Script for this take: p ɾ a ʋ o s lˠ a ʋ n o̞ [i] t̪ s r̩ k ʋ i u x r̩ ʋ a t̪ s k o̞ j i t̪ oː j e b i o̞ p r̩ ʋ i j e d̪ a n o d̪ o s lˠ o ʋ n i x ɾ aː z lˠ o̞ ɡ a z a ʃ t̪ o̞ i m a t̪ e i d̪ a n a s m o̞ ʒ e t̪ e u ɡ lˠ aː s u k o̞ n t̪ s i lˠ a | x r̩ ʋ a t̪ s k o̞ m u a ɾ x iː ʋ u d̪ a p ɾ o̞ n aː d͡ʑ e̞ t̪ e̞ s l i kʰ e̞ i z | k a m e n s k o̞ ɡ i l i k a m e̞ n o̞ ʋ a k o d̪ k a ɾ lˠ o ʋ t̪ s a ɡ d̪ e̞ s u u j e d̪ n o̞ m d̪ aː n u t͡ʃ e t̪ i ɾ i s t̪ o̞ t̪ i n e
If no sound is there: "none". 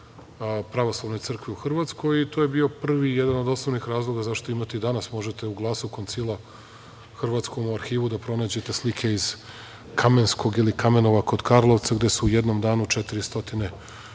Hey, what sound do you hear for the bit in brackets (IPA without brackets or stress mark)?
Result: j